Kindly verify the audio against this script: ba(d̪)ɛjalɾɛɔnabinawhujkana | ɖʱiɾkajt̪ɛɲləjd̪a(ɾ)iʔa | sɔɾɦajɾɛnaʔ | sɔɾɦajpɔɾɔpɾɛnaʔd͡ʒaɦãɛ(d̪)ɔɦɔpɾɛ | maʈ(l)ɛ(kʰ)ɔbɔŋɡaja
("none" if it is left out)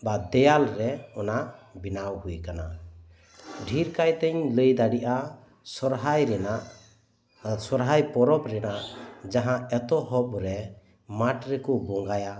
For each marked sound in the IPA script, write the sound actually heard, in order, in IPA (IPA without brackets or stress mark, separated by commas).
d̪, ɽ, t̪, ɾ, k